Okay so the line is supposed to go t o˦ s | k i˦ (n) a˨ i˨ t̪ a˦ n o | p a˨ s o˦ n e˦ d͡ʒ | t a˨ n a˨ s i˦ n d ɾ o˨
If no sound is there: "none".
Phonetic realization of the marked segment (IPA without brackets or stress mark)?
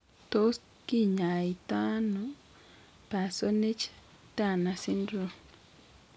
ɲ